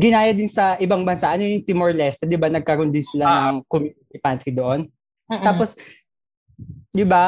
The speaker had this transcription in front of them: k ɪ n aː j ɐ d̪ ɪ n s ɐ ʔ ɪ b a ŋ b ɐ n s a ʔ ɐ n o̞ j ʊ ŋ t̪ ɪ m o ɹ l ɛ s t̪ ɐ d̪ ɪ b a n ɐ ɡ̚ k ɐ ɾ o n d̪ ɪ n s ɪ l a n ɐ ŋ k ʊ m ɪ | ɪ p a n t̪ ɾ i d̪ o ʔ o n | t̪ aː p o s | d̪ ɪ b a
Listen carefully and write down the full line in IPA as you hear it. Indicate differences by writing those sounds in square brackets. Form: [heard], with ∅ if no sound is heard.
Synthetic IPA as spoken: [ɡ] ɪ n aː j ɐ d̪ ɪ n s ɐ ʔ ɪ b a ŋ b ɐ n s a ʔ ɐ n o̞ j ʊ ŋ t̪ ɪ m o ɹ l ɛ s t̪ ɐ d̪ ɪ b a n ɐ ɡ̚ k ɐ ɾ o n d̪ ɪ n s ɪ l a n ɐ ŋ k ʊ m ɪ | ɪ p a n t̪ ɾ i d̪ o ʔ o n | t̪ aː p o s | d̪ ɪ b a